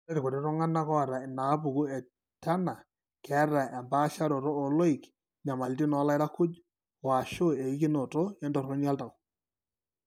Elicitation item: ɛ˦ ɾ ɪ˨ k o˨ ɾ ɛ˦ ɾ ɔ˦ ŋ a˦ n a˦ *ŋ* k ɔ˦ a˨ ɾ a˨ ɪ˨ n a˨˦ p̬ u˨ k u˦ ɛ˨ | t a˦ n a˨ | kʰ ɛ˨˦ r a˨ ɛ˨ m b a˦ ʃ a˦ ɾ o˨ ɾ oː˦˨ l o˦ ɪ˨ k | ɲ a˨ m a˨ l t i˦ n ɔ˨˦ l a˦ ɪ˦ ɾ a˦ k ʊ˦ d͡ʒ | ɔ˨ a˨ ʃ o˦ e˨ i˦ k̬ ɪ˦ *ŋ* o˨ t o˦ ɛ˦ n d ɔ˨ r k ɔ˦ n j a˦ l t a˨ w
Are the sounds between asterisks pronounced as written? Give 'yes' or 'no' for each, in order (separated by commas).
no, no